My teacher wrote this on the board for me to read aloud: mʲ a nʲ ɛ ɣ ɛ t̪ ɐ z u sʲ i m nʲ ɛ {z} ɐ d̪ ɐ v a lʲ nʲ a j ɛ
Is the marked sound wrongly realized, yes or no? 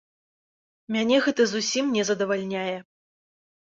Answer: no